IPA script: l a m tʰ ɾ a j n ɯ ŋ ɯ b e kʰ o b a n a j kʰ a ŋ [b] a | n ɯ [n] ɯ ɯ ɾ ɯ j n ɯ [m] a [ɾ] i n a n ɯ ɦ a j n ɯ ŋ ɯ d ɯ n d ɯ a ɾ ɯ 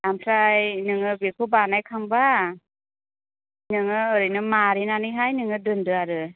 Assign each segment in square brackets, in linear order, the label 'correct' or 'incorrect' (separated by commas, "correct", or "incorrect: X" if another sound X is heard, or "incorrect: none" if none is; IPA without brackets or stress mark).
correct, incorrect: ŋ, correct, correct